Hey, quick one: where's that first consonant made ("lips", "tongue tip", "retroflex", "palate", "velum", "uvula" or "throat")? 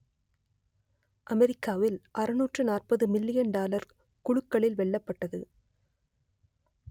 throat